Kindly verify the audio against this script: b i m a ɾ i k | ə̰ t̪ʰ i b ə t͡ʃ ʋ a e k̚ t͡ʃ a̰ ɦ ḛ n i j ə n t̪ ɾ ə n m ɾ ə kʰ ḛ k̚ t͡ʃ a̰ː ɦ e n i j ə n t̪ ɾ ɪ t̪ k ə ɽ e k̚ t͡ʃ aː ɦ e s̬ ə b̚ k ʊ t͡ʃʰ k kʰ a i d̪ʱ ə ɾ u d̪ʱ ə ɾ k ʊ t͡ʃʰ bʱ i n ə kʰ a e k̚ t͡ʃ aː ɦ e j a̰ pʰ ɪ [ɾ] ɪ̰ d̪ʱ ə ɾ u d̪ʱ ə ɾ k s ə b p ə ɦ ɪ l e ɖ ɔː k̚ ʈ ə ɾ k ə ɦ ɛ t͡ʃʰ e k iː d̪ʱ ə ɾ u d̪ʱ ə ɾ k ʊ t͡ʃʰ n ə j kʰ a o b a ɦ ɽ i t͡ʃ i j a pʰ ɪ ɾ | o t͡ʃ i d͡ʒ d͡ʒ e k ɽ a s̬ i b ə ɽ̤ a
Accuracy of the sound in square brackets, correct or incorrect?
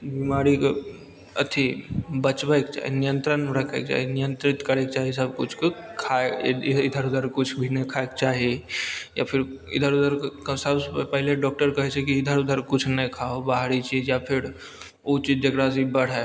correct